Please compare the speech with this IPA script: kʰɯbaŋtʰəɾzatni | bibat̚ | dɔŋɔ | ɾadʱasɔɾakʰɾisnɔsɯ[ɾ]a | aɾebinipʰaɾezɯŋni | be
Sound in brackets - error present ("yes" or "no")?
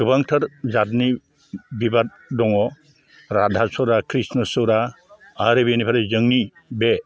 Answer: no